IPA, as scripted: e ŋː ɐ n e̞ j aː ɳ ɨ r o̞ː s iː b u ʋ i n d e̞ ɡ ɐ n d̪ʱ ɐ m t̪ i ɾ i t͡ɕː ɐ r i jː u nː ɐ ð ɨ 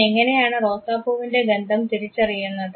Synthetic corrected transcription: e ŋː ɐ n e̞ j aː ɳ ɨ r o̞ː s aː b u ʋ i n d e̞ ɡ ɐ n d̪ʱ ɐ m t̪ i ɾ i t͡ɕː ɐ r i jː u nː ɐ ð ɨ